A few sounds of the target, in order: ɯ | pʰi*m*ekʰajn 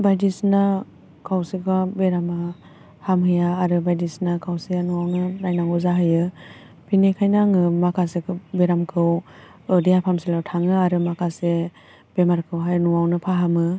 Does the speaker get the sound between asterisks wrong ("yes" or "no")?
yes